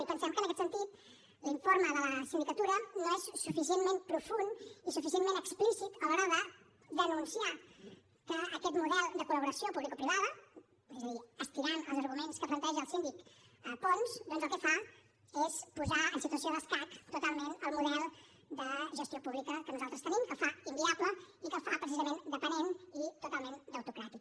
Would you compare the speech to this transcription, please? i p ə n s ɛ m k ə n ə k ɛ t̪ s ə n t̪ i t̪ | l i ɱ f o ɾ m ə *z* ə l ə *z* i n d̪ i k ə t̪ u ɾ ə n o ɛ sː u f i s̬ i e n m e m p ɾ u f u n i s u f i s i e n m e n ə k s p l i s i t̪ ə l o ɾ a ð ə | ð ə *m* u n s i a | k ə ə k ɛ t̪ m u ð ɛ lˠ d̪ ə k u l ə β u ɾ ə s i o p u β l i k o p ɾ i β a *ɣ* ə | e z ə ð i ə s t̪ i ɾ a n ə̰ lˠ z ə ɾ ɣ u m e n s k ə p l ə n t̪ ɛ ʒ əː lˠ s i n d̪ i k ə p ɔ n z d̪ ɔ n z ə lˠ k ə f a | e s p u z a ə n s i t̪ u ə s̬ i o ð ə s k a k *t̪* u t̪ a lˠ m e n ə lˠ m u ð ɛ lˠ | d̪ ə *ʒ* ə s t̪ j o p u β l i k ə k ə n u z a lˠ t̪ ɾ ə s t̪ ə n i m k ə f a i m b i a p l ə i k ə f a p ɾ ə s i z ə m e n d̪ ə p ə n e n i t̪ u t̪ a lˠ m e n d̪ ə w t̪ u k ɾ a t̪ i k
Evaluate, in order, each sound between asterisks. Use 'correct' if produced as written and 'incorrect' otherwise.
incorrect: ð, incorrect: s, incorrect: n, incorrect: ð, correct, correct

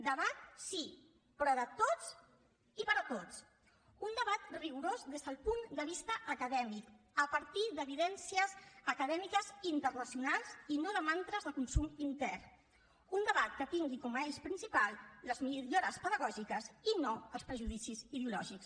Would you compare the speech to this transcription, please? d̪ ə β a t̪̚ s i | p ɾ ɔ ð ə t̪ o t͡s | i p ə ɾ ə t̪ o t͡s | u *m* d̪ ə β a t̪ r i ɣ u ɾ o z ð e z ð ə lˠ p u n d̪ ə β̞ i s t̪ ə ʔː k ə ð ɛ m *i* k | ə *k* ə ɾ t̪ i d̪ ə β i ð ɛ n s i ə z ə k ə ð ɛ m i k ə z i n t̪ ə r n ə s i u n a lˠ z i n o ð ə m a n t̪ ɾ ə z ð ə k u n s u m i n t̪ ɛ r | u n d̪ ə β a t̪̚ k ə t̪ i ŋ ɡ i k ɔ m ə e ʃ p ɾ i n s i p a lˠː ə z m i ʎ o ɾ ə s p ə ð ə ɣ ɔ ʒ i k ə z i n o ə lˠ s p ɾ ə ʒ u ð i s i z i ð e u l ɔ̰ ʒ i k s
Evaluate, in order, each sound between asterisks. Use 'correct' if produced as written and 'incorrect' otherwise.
incorrect: n, correct, incorrect: p

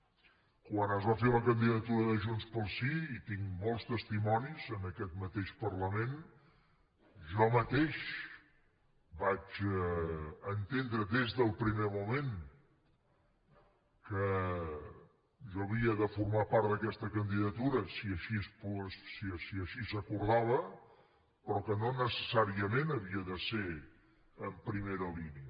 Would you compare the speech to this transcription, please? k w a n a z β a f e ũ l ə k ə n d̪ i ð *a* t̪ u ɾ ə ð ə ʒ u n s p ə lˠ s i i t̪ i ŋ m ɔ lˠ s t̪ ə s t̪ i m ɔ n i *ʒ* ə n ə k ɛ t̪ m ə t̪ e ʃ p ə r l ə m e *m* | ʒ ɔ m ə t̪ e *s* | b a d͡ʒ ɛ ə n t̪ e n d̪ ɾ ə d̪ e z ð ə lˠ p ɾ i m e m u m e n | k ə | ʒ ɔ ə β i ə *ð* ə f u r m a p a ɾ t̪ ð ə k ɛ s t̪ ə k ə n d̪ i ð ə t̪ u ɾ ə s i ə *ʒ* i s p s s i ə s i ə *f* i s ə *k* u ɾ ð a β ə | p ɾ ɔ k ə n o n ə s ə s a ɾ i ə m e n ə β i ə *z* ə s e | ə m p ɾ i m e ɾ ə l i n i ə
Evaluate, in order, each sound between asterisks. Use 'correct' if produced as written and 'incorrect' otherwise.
incorrect: ə, incorrect: z, incorrect: n, incorrect: ʃ, correct, incorrect: ʃ, incorrect: ʃ, correct, incorrect: ð

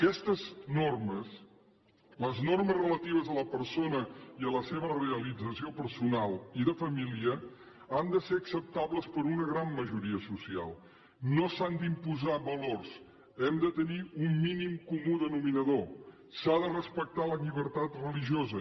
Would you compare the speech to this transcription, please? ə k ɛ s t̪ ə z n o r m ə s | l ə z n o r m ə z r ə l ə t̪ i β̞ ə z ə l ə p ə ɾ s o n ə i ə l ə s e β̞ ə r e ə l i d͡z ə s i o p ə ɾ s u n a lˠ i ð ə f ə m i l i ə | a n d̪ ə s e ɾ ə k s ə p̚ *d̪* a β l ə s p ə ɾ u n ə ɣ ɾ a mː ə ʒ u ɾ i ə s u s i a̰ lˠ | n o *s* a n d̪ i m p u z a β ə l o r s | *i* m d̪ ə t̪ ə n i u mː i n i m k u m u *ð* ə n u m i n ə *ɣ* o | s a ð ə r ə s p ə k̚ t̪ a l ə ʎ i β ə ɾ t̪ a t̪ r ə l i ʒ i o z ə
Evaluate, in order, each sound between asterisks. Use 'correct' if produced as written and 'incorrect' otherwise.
incorrect: t̪, correct, incorrect: ɛ, correct, incorrect: ð

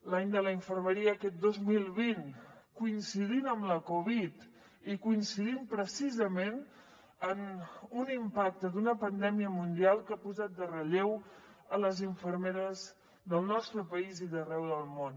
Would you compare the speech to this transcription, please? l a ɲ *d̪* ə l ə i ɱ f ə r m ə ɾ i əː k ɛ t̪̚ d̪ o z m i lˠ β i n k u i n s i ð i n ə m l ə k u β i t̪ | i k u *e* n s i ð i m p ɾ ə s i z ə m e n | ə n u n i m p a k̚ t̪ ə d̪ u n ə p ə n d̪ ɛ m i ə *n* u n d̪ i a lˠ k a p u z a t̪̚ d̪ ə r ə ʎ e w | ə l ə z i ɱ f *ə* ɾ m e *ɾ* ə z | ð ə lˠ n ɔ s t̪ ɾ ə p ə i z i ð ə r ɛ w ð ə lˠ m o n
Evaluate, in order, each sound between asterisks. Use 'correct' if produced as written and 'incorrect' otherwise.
correct, incorrect: i, incorrect: m, correct, correct

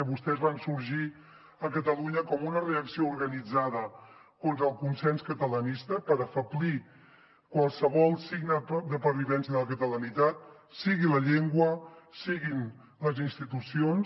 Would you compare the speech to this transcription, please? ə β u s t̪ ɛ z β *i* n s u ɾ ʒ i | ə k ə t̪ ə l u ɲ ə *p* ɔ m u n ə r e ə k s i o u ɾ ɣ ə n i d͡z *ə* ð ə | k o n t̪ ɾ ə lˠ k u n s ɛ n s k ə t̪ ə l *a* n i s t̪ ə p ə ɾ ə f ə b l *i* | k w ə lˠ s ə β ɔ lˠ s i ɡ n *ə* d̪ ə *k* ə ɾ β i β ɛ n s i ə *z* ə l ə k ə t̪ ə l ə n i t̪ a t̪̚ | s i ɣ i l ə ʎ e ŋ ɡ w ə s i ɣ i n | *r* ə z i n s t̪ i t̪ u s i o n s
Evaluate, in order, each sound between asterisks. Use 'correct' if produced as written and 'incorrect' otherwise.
incorrect: a, incorrect: k, incorrect: a, incorrect: ə, correct, correct, incorrect: p, incorrect: ð, incorrect: l

